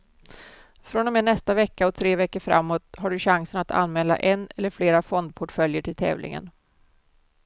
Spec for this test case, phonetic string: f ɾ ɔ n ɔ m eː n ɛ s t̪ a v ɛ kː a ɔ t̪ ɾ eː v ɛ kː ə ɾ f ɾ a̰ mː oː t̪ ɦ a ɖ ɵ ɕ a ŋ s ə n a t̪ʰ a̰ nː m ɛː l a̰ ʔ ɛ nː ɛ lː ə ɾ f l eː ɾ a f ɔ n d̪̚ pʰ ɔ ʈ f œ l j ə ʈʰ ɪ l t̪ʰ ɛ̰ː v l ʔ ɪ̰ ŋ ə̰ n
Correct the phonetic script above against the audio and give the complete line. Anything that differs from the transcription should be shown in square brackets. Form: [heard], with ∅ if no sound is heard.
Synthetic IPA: f ɾ ɔ n ɔ m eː n ɛ s t̪ a v ɛ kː a ɔ [t̪ʰ] ɾ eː v ɛ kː ə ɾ f ɾ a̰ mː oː t̪ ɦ a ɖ ɵ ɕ a ŋ s ə n a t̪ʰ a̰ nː m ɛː l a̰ ʔ ɛ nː ɛ lː ə ɾ f l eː ɾ a f ɔ n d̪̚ pʰ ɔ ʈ f œ l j ə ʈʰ ɪ l t̪ʰ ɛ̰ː v l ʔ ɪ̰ ŋ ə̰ n